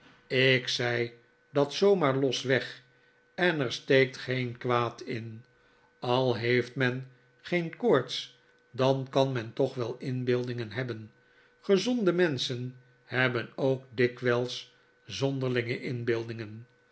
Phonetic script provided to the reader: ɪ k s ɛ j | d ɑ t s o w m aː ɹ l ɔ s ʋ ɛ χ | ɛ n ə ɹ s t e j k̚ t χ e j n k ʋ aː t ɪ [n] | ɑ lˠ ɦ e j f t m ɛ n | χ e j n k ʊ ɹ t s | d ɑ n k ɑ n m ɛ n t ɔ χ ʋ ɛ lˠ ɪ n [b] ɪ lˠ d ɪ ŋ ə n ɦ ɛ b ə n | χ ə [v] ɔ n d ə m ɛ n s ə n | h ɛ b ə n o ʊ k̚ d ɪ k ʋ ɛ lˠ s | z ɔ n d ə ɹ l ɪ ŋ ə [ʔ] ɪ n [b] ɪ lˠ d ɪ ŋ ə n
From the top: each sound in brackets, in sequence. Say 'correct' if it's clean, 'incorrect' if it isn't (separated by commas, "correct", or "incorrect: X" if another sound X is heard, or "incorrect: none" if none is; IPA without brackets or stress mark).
correct, correct, incorrect: z, correct, correct